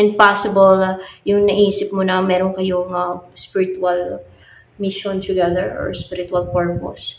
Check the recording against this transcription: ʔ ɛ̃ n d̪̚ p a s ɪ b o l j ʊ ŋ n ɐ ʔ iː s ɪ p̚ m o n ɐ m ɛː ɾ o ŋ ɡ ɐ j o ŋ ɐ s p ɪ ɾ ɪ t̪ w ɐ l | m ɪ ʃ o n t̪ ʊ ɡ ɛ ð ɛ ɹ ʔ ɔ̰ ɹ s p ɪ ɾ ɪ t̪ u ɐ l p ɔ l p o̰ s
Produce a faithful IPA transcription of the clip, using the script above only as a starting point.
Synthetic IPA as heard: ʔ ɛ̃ n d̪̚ p a s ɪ b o l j ʊ ŋ n ɐ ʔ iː s ɪ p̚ m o n ɐ m ɛː ɾ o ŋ k ɐ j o ŋ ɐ s p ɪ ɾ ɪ t̪ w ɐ l | m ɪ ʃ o n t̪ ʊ ɡ ɛ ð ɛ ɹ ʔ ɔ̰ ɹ s p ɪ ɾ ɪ t̪ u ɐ l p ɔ ɹ p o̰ s

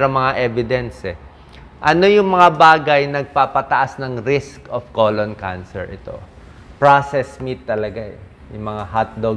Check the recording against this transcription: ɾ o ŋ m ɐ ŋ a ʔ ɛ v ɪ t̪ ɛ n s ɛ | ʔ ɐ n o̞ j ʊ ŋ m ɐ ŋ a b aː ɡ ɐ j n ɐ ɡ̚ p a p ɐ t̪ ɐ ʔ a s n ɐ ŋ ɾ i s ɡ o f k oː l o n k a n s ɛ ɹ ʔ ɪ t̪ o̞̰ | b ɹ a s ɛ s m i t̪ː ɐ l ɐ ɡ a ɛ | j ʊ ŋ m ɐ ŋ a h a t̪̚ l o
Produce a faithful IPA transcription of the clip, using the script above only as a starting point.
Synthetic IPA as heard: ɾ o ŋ m ɐ ŋ a ʔ ɛ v ɪ d̪ ɛ n s ɛ | ʔ ɐ n o̞ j ʊ ŋ m ɐ ŋ a b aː ɡ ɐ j n ɐ ɡ̚ p a p ɐ t̪ ɐ ʔ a s n ɐ ŋ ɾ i s k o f k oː l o n k a n s ɛ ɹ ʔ ɪ t̪ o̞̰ | p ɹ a s ɛ s m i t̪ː ɐ l ɐ ɡ a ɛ | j ʊ ŋ m ɐ ŋ a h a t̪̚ l o

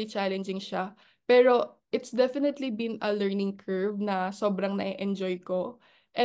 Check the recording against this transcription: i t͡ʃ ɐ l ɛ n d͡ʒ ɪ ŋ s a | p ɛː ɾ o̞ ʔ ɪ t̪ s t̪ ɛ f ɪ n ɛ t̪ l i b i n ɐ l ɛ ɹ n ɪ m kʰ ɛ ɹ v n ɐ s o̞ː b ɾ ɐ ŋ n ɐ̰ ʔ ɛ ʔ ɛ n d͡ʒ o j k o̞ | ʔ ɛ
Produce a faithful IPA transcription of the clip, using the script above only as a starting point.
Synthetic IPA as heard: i t͡ʃ a l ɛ n d͡ʒ ɪ ŋ ʃ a | p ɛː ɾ o̞ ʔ ɪ t̪ s d̪ ɛ f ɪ n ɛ t̪ l i b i n ɐ l ɛ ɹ n ɪ ŋ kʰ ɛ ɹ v n ɐ s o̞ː b ɾ ɐ ŋ n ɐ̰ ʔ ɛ ʔ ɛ n d͡ʒ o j k o̞ | ʔ ɛ

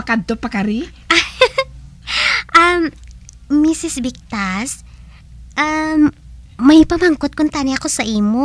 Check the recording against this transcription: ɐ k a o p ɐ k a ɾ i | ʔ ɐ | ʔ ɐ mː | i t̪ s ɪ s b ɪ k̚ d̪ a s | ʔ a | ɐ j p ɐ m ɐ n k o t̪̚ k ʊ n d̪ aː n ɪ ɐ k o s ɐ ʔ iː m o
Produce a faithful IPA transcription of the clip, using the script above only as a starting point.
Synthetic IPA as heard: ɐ k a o p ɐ k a ɾ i | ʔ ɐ | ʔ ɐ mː | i s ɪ s b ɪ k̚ t̪ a s | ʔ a | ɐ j p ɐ m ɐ ŋ k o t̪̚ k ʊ n t̪ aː n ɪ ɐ k o s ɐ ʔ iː m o

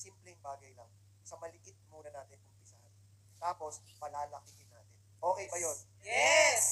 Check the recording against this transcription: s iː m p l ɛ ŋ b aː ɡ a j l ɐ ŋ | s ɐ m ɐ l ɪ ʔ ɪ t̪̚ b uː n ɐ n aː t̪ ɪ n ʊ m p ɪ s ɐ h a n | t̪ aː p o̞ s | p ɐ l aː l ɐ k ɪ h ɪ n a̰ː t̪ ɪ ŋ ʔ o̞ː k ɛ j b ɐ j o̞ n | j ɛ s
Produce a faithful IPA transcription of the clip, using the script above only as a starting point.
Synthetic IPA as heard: s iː m p l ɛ ŋ b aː ɡ ɐ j l ɐ ŋ | s ɐ m ɐ l ɪ ʔ ɪ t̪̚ m uː n ɐ n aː t̪ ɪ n ʊ m p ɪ s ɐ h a n | t̪ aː p o̞ s | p ɐ l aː l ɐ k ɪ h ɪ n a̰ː t̪ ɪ n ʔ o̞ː k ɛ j b ɐ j o̞ n | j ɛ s

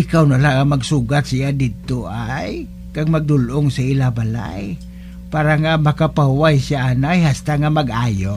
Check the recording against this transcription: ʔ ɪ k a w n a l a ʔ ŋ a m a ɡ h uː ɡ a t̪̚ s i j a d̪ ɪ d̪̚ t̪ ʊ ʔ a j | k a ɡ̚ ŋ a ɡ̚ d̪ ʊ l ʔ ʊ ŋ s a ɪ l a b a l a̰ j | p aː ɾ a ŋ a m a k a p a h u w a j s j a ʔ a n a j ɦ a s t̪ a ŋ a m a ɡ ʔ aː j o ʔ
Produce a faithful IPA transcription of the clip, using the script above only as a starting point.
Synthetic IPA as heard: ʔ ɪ k a w n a l a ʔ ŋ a m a ɡ s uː ɡ a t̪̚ s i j a d̪ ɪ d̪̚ t̪ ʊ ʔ a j | k a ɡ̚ m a ɡ̚ d̪ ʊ l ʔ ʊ ŋ s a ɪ l a b a l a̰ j | p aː ɾ a ŋ a m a k a p a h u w a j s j a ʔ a n a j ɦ a s t̪ a ŋ a m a ɡ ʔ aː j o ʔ

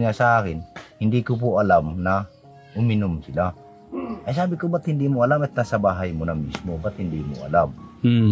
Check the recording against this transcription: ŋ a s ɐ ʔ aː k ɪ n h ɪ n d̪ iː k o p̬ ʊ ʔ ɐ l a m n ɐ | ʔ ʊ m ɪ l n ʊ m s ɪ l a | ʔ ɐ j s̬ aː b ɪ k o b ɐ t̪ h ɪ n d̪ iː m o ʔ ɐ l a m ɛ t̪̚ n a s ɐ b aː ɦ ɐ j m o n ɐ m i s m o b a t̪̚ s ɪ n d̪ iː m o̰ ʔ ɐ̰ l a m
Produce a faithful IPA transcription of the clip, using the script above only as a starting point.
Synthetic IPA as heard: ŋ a s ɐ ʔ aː k ɪ n h ɪ n d̪ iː k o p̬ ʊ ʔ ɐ l a m n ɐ | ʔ ʊ m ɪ n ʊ m s ɪ l a | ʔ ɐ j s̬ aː b ɪ k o b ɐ t̪ h ɪ n d̪ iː m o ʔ ɐ l a m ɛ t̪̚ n a s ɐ b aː ɦ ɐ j m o n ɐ m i s m o b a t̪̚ h ɪ n d̪ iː m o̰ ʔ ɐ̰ l a m

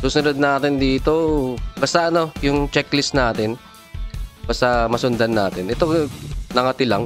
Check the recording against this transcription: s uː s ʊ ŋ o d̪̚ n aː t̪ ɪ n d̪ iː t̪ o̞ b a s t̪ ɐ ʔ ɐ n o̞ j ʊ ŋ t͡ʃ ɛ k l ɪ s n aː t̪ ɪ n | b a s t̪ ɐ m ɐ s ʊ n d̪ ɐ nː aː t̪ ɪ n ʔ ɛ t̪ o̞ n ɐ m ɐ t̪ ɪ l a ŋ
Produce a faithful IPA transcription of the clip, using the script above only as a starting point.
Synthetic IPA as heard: s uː s ʊ n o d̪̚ n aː t̪ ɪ n d̪ iː t̪ o̞ b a s t̪ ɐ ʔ ɐ n o̞ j ʊ ŋ t͡ʃ ɛ k l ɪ s n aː t̪ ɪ n | b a s t̪ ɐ m ɐ s ʊ n d̪ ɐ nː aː t̪ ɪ n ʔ ɛ t̪ o̞ n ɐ ŋ ɐ t̪ ɪ l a ŋ

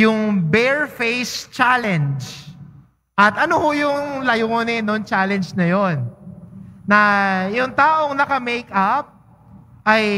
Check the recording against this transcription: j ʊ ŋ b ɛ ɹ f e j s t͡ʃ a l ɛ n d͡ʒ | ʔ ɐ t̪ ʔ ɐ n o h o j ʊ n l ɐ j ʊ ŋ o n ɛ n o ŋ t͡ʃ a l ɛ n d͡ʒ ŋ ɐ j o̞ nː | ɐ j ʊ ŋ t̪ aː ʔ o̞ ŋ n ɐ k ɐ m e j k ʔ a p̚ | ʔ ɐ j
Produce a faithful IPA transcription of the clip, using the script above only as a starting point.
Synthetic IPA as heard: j ʊ ŋ b ɛ ɹ f e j s t͡ʃ a l ɛ n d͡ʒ | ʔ ɐ t̪ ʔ ɐ n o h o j ʊ ŋ l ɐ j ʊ ŋ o n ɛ n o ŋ t͡ʃ a l ɛ n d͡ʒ n ɐ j o̞ nː | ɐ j ʊ ŋ t̪ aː ʔ o̞ ŋ n ɐ k ɐ m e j k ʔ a p̚ | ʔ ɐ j

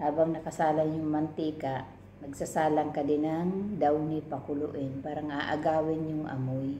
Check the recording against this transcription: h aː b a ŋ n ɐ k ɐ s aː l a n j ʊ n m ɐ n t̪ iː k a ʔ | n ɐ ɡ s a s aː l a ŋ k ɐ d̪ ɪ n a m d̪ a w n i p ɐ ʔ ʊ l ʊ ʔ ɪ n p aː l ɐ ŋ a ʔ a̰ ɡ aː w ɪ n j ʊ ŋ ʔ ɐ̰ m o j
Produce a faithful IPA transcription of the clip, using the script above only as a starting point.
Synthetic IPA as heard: h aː b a ŋ n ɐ k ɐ s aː l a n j ʊ ŋ m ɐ n t̪ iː k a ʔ | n ɐ ɡ s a s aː l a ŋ k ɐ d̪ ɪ n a ŋ d̪ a w n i p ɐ k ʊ l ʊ ʔ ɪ n p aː ɾ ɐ ŋ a ʔ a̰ ɡ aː w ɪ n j ʊ ŋ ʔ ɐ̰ m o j

